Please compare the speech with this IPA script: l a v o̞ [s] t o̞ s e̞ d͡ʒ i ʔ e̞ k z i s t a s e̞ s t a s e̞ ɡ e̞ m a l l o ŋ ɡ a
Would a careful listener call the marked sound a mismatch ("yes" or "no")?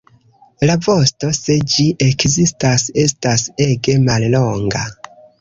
no